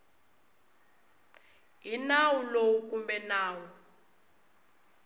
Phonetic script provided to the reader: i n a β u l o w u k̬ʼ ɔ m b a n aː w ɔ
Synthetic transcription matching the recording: i n a w u l o w u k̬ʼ u m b ɛ n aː w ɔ